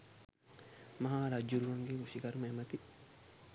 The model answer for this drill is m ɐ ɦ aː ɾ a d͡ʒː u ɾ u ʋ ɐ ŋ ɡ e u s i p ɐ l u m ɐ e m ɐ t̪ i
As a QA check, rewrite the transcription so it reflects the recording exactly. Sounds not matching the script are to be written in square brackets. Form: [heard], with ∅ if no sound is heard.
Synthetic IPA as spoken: m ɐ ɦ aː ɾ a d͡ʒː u ɾ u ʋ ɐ ŋ ɡ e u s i [k] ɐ [ɾ] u m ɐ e m ɐ t̪ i